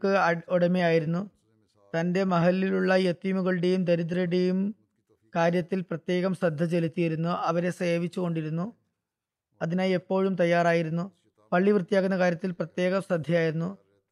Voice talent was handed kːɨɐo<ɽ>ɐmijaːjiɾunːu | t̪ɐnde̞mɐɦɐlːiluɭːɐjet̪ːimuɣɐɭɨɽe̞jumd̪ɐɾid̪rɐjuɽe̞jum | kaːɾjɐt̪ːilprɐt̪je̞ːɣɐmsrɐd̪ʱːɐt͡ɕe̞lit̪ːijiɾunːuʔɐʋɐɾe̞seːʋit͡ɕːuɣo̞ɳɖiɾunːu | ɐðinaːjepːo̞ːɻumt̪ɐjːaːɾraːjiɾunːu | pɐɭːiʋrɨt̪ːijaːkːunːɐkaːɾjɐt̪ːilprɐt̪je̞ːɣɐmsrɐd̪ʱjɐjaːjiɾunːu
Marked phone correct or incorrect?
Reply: correct